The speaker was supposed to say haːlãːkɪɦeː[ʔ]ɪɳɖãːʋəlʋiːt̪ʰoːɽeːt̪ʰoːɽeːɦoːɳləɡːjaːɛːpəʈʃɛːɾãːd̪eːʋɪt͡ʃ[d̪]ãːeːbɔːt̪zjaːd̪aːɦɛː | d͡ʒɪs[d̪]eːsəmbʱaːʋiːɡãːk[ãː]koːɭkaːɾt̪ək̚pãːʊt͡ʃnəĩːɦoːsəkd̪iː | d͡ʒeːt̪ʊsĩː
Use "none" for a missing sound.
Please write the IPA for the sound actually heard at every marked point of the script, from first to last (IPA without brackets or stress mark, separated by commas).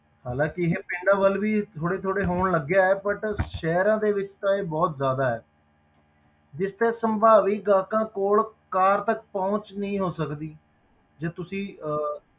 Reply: p, t̪, t̪, ãː